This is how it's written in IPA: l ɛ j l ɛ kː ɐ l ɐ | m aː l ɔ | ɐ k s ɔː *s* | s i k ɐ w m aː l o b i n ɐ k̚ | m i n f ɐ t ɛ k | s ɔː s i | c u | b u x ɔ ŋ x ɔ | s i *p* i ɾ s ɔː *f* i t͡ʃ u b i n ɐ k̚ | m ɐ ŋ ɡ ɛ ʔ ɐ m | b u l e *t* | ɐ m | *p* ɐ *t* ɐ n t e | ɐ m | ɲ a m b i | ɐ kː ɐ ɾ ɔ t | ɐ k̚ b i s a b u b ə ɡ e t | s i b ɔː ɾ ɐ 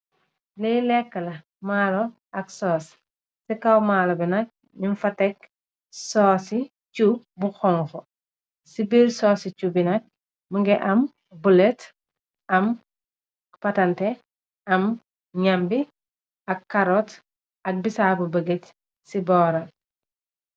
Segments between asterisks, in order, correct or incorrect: correct, incorrect: b, incorrect: s, correct, correct, correct

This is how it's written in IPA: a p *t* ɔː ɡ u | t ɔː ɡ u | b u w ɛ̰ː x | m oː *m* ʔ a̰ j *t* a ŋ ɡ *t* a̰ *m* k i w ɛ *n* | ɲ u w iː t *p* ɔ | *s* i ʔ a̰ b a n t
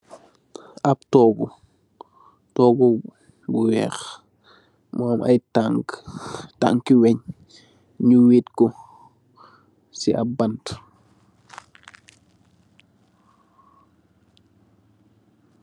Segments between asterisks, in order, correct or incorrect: correct, correct, correct, correct, incorrect: ŋ, incorrect: ɲ, incorrect: k, correct

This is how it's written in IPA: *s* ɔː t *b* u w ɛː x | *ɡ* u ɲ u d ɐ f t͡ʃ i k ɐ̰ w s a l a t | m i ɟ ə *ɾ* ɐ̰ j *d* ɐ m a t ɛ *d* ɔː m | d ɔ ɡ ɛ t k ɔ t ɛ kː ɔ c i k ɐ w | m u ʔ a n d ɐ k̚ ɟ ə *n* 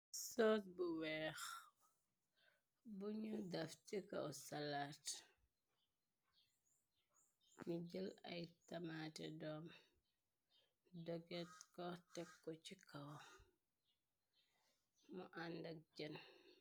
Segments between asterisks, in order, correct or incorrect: correct, correct, incorrect: b, incorrect: l, incorrect: t, correct, correct

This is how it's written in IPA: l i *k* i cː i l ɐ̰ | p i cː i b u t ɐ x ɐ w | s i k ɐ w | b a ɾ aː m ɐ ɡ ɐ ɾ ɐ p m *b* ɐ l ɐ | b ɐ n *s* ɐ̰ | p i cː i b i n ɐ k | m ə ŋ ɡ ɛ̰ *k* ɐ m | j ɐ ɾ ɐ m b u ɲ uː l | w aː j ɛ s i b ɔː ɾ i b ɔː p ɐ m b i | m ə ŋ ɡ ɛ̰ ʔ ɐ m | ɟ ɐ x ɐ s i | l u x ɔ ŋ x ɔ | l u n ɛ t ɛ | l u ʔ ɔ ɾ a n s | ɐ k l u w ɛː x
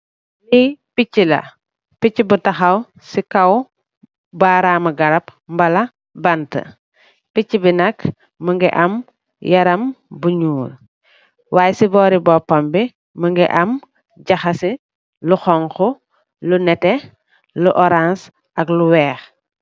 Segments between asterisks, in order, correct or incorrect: incorrect: p, correct, incorrect: t, incorrect: ʔ

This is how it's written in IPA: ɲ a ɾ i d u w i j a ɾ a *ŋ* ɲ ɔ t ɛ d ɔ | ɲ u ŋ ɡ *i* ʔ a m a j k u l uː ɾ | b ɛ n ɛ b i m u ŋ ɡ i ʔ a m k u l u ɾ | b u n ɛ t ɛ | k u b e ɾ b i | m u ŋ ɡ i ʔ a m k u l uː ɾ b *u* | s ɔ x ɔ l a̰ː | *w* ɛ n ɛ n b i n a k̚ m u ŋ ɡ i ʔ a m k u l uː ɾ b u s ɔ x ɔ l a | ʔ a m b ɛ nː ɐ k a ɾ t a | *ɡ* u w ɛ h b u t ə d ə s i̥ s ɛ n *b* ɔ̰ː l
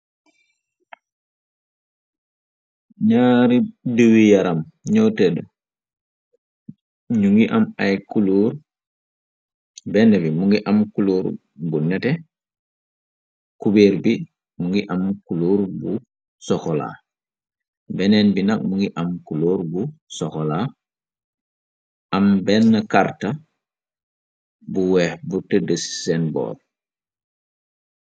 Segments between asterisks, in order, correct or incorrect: incorrect: m, correct, correct, incorrect: b, incorrect: b, correct

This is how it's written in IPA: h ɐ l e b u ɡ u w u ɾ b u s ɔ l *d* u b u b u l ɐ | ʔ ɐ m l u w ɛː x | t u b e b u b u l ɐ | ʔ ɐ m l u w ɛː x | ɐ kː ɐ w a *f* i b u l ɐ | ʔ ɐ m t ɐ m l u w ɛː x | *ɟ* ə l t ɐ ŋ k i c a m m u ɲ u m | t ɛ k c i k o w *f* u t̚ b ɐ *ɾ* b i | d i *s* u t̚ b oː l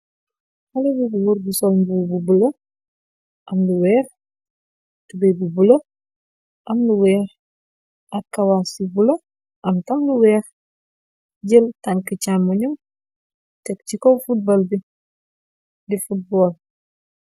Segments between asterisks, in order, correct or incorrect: incorrect: b, incorrect: s, correct, correct, incorrect: l, incorrect: f

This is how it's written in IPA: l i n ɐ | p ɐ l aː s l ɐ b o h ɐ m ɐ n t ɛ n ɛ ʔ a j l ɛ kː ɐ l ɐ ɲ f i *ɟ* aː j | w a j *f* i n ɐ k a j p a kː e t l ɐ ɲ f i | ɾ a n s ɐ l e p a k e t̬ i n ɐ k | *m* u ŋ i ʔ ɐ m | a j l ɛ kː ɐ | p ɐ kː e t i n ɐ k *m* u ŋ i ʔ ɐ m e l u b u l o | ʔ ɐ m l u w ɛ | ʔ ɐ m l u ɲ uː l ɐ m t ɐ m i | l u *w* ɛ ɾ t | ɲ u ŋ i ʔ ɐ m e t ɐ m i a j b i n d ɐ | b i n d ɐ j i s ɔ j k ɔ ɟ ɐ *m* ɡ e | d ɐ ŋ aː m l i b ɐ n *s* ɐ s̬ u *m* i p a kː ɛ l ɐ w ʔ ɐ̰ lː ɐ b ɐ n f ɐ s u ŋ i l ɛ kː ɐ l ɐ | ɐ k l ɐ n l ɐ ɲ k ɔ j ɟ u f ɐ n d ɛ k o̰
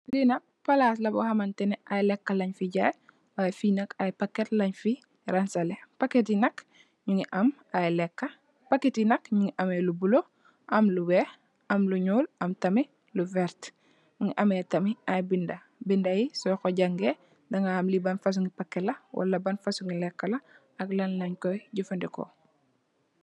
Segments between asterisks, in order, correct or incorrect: correct, correct, incorrect: ɲ, incorrect: ɲ, incorrect: v, incorrect: ŋ, incorrect: f, incorrect: ŋ

